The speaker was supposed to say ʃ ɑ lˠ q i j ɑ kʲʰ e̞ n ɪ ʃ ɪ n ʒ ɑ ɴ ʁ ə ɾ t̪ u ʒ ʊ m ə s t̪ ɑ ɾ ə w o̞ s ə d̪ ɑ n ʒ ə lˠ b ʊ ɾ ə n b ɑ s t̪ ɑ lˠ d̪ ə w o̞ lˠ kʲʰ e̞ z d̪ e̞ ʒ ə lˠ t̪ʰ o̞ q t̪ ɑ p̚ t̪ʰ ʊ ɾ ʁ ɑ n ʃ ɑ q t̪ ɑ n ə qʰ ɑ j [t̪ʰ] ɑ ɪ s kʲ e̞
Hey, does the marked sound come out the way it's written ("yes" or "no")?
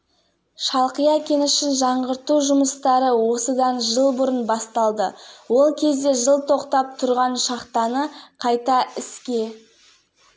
no